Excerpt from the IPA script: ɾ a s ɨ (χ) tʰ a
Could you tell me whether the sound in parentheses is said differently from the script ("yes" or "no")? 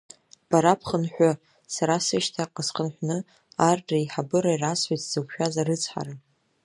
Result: yes